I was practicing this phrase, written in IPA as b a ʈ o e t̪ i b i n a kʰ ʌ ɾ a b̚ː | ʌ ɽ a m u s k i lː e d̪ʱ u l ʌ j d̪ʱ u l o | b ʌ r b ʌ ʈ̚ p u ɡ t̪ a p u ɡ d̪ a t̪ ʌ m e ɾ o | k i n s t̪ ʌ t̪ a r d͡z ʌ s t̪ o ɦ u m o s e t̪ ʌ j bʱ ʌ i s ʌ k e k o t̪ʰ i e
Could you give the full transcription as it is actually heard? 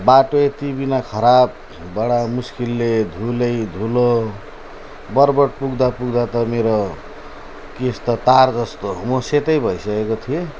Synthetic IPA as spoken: b a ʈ o e t̪ i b i n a kʰ ʌ ɾ a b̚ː | ʌ ɽ a m u s k i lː e d̪ʱ u l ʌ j d̪ʱ u l o | b ʌ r b ʌ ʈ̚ p u ɡ d̪ a p u ɡ d̪ a t̪ ʌ m e ɾ o | k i s t̪ ʌ t̪ a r d͡z ʌ s t̪ o ɦ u m o s e t̪ ʌ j bʱ ʌ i s ʌ k e k o t̪ʰ i e